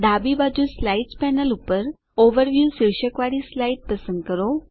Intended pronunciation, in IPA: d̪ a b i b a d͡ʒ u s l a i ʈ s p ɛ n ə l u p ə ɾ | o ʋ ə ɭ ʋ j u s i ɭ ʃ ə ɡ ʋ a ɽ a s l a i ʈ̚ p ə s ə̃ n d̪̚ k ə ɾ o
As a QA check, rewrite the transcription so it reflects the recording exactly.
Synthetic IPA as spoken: d̪ a b i b a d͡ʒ u s l a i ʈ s p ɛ n ə l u p ə ɾ | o ʋ ə ɾ ʋ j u s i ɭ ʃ ə k ʋ a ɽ i s l a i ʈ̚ p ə s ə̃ n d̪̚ k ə ɾ o

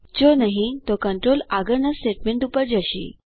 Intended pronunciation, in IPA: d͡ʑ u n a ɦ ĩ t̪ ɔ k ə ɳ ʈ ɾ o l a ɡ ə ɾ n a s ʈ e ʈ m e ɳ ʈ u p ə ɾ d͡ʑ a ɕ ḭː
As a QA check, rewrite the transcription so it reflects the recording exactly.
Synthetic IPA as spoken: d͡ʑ o n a ɦ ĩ t̪ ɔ k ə ɳ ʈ ɾ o l a ɡ ə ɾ n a s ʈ e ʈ m e ɳ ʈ u p ə ɾ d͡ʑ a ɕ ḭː

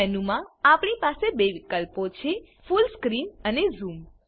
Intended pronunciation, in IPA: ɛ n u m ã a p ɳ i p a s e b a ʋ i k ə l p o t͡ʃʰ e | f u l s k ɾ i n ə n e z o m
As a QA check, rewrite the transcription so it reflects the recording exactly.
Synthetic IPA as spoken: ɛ n u m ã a p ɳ i p a s e b e ʋ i k ə l p o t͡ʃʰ e | f u l s k ɾ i n ə n e z u m

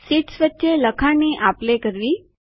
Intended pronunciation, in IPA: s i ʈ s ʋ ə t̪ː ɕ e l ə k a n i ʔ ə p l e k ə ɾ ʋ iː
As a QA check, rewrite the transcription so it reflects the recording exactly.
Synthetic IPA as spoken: s i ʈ s ʋ ə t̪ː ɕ e l ə kʰ a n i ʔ a p l e k ə ɾ ʋ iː

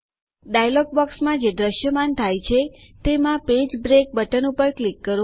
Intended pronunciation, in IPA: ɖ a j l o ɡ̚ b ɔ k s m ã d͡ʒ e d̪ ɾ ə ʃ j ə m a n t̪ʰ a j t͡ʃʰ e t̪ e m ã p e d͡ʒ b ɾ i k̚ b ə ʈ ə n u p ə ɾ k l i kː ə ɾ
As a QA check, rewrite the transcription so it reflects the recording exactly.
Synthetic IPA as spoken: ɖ a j l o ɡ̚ b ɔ k s m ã d͡ʒ e d̪ ɾ ə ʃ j ə m a n t̪ʰ a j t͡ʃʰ e t̪ e m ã p e d͡ʒ b ɾ e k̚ b ə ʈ ə n u p ə ɾ k l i kː ə ɾ

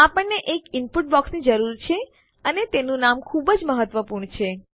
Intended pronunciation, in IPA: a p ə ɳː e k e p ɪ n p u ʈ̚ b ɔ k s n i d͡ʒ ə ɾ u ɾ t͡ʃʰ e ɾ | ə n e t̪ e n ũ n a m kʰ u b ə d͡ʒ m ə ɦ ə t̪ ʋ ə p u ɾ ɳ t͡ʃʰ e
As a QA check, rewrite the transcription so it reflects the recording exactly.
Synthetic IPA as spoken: a p ə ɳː e ʔ e k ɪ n p u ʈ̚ b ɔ k s n i d͡ʒ ə ɾ u ɾ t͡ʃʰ e | ə n e t̪ e n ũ n a m kʰ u b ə d͡ʒ m ə ɦ ə t̪ ʋ ə p u ɾ ɳ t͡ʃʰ e

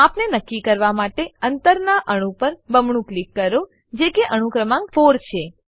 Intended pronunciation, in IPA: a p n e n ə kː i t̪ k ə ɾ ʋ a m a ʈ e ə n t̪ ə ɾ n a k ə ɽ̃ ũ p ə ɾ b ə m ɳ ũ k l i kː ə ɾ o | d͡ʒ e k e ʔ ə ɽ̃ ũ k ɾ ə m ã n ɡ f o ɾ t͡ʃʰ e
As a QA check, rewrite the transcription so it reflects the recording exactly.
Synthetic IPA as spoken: a p n e n ə kː i k ə ɾ ʋ a m a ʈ e ə n t̪ ə ɾ n a ʔ ə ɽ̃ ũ p ə ɾ b ə m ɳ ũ k l i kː ə ɾ o | d͡ʒ e k e ʔ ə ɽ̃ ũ k ɾ ə m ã ŋ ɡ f o ɾ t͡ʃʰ e

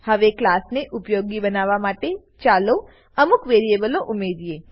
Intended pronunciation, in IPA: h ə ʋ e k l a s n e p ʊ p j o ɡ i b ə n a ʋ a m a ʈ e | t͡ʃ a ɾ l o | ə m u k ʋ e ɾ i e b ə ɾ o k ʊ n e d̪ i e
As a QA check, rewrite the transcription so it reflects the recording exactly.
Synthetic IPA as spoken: h ə ʋ e k l a s n e ʔ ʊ p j o ɡ i b ə n a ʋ a m a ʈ e | t͡ʃ a l o | ə m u k ʋ e ɾ i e b ə l o ʔ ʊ m e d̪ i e

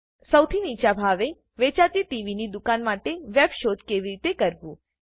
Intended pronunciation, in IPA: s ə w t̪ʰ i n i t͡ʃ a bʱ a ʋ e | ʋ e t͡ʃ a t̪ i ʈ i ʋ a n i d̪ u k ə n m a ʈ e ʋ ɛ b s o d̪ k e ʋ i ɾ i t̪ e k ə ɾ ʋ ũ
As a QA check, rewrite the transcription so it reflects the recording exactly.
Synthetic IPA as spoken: s ə w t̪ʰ i n i t͡ʃ a bʱ a ʋ e | ʋ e t͡ʃ a t̪ i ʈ i ʋ i n i d̪ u k a n m a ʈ e ʋ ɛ b ʃ o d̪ k e ʋ i ɾ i t̪ e k ə ɾ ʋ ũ

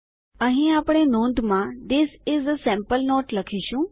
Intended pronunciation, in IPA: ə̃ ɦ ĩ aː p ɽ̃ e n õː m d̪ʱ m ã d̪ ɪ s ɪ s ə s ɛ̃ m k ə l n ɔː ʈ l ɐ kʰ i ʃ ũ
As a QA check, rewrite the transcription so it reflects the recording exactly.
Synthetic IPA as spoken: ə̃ ɦ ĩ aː p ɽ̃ e n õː n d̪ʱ m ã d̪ ɪ s ɪ z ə s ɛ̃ m p ə l n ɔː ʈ l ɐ kʰ i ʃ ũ

